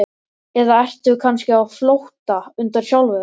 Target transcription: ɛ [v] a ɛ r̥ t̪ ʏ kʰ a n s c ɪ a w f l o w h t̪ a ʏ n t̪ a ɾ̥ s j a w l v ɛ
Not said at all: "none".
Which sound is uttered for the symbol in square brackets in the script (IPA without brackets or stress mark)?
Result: ð